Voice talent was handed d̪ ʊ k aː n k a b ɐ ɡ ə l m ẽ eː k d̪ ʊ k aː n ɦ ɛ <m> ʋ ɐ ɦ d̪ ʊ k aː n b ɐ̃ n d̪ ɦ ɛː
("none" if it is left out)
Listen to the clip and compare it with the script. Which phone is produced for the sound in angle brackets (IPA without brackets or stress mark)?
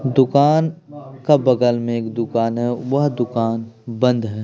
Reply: none